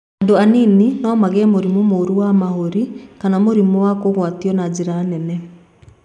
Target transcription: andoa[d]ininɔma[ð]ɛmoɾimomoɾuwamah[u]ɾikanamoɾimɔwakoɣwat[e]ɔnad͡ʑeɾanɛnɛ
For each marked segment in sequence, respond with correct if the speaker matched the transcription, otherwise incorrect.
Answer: incorrect: n, incorrect: ɣ, incorrect: o, incorrect: i

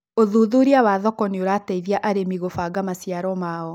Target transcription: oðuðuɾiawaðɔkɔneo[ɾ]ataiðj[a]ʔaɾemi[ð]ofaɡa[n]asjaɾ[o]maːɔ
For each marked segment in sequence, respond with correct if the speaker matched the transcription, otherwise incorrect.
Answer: correct, correct, incorrect: ɣ, incorrect: m, incorrect: ɔ

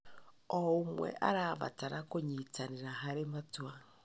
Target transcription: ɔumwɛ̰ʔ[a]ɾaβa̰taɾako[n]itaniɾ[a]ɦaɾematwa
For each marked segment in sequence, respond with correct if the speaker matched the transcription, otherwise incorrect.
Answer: correct, incorrect: ɲ, correct

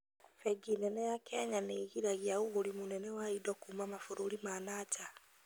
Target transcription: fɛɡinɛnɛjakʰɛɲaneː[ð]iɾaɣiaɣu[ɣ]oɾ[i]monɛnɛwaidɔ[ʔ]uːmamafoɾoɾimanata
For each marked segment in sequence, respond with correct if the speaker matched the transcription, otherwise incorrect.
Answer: incorrect: ɣ, correct, correct, incorrect: k

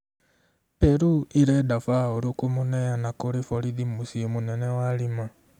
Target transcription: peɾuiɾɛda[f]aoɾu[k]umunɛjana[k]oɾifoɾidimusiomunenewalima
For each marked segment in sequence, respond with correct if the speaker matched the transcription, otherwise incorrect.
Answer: correct, correct, correct

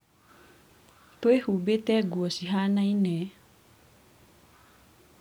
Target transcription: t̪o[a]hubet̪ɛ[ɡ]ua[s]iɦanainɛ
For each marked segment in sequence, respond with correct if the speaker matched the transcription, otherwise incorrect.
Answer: incorrect: e, correct, correct

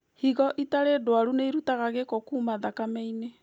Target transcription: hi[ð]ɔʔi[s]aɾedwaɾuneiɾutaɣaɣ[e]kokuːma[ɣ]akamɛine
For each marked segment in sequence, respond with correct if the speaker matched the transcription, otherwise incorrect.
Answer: incorrect: ɣ, incorrect: t, correct, incorrect: ð

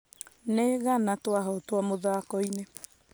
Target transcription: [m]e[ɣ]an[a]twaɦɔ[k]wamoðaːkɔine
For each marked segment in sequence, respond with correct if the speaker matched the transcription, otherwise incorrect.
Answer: incorrect: n, correct, correct, incorrect: t

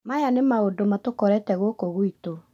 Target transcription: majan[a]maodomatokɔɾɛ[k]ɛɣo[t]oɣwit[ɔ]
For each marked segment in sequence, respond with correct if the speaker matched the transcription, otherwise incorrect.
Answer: incorrect: e, incorrect: t, incorrect: k, incorrect: o

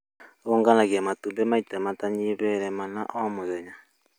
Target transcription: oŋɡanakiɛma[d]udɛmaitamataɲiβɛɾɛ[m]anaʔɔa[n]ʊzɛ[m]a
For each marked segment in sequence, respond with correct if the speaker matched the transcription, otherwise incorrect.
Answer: incorrect: t, correct, incorrect: m, incorrect: ɲ

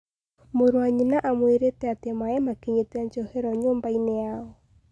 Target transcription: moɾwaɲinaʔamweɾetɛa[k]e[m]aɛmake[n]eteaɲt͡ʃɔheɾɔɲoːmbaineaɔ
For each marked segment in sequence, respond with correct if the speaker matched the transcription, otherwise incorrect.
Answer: incorrect: t, correct, incorrect: ɲ

